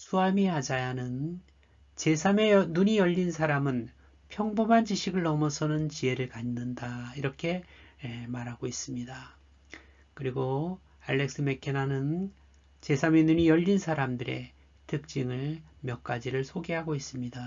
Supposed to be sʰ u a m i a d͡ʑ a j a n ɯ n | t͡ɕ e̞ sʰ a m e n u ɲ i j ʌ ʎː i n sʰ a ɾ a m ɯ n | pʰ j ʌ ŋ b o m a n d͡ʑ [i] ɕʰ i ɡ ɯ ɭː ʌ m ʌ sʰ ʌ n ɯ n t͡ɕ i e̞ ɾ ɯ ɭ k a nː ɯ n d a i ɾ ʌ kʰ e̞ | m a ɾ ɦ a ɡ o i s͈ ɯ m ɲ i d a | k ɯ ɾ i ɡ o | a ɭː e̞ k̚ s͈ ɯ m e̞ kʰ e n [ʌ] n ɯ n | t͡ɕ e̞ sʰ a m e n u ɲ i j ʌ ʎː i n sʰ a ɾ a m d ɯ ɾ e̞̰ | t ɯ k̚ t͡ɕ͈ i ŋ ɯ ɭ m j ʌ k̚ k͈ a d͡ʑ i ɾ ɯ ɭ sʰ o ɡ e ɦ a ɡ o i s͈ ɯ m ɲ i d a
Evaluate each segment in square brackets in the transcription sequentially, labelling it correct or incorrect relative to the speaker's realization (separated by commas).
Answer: correct, incorrect